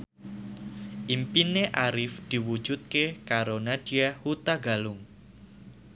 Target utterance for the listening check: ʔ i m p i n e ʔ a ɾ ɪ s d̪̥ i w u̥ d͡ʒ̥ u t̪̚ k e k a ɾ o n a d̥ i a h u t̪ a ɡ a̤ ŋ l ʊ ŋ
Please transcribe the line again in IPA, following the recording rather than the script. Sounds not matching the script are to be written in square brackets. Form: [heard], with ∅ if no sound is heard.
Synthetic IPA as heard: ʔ i m p i n e ʔ a ɾ ɪ [f] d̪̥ i w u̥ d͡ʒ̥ u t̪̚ k e k a ɾ o n a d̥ i a h u t̪ a ɡ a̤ [∅] l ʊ ŋ

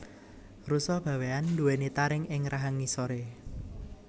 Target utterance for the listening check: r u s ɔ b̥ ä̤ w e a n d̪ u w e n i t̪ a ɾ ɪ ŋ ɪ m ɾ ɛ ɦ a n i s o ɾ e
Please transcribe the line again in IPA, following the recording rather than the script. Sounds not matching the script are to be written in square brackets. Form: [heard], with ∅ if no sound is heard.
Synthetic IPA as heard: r u s ɔ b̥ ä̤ w e a n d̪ u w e n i t̪ a ɾ ɪ ŋ ɪ [ŋ] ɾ [a] ɦ a [ŋ] i s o ɾ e

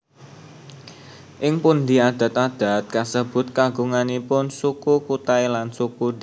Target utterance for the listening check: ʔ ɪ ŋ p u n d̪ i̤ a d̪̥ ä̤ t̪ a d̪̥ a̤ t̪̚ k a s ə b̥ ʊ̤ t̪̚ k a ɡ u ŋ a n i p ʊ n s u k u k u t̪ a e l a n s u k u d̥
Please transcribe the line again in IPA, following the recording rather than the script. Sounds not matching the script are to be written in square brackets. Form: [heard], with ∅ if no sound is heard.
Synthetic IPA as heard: ʔ ɪ ŋ p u n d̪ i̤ a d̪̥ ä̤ t̪ a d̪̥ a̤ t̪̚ k a s ə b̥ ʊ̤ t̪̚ k a ɡ u ŋ a n i p ʊ n s u k u k u t̪ a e l a n s u k u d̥

